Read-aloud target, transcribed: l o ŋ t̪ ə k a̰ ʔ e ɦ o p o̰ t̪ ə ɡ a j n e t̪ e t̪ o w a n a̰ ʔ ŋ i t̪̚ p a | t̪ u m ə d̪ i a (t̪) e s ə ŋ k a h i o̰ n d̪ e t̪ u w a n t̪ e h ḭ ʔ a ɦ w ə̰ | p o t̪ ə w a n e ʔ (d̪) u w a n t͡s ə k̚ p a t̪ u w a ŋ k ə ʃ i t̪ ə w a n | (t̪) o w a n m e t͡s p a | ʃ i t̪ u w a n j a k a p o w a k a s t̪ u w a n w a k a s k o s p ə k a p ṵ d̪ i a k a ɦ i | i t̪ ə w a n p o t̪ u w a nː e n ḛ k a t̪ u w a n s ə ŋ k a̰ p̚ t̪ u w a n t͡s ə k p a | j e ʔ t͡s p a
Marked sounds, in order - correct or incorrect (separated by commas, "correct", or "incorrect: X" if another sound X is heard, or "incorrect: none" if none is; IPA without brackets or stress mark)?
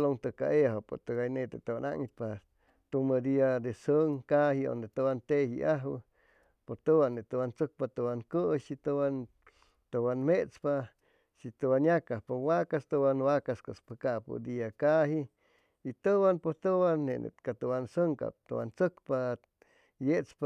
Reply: incorrect: d̪, incorrect: t̪, correct